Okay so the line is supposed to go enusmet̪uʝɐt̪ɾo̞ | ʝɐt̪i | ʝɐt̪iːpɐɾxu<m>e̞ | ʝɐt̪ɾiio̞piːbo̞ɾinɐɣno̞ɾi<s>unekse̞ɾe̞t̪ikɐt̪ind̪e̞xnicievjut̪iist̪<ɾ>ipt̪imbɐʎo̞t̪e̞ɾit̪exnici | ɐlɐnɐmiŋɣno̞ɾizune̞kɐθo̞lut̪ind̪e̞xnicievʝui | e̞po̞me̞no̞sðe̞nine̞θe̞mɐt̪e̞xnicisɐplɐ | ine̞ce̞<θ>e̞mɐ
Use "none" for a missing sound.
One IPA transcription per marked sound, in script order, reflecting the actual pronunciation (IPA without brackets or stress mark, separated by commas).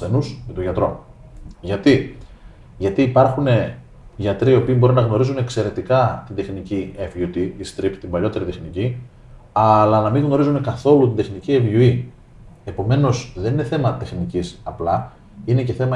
n, z, ɾ, θ